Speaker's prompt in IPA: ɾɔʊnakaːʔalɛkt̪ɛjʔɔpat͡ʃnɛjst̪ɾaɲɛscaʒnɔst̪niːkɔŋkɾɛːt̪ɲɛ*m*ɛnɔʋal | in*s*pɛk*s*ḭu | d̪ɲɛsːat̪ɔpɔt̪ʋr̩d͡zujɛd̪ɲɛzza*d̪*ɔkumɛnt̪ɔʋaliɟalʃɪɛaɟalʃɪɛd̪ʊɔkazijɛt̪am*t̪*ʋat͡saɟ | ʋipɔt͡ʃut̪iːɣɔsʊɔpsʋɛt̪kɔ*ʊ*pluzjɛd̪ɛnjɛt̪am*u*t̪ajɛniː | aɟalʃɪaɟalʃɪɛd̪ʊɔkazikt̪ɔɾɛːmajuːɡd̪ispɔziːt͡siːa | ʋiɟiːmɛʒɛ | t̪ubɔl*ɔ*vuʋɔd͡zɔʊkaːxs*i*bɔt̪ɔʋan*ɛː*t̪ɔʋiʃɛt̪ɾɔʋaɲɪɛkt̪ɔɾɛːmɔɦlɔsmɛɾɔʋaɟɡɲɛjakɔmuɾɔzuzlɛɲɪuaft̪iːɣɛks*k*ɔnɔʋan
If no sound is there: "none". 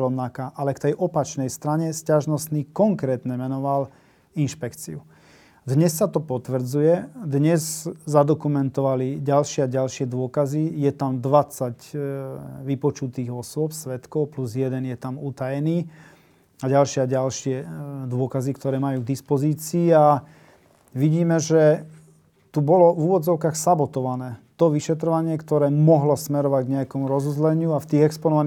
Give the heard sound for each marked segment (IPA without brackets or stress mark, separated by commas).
m, ʃ, t͡s, d̪, d̪, ʊ, u, ɔ, a, ɛː, p